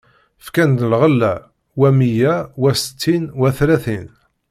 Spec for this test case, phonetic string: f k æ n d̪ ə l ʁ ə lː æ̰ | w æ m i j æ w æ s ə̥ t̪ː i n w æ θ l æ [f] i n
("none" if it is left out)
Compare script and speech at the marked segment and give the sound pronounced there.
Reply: θ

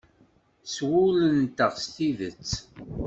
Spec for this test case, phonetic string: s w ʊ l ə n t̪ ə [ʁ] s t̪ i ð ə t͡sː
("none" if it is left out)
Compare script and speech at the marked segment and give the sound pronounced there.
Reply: ʁ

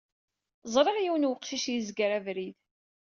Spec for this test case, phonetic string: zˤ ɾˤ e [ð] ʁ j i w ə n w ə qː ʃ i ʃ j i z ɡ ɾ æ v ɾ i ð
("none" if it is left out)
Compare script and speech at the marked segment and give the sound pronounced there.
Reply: none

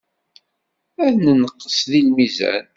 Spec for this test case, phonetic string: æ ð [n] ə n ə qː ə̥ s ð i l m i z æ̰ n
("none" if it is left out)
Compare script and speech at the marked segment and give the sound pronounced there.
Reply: n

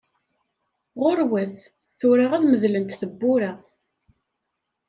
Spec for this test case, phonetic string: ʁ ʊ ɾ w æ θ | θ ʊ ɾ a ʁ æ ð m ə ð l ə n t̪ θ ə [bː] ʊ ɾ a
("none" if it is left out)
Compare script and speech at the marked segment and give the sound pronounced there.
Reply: bː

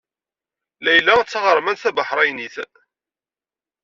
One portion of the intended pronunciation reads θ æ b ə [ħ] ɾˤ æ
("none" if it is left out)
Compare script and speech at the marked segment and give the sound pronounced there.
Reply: ħ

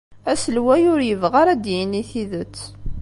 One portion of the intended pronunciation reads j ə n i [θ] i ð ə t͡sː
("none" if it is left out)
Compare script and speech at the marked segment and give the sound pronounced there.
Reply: θ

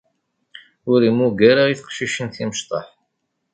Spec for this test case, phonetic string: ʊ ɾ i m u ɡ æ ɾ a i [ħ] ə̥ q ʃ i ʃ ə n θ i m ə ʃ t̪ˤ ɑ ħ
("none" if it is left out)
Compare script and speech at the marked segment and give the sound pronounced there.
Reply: θ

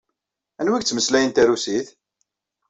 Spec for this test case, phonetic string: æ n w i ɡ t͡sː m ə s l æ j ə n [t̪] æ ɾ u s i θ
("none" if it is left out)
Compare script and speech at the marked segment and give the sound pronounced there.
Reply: t̪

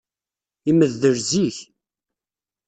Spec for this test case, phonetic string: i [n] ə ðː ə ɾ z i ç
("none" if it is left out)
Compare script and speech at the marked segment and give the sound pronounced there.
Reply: m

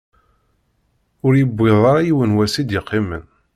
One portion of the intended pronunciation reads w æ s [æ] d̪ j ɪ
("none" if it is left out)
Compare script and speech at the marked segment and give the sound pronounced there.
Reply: i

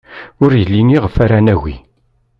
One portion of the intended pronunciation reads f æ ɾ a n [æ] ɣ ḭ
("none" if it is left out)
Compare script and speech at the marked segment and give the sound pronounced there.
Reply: æ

